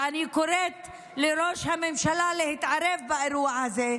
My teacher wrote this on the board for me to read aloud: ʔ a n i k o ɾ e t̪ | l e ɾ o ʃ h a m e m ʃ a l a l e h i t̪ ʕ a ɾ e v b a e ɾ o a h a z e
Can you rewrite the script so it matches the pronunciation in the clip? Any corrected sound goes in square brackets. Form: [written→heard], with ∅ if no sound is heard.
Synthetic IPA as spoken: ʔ a n i k o ɾ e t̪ | l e ɾ o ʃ h a m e m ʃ a l a l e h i t̪ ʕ a ɾ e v b a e ɾ [o→u] a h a z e